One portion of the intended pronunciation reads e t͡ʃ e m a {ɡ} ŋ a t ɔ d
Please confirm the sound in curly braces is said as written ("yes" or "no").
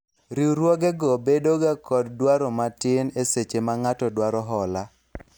no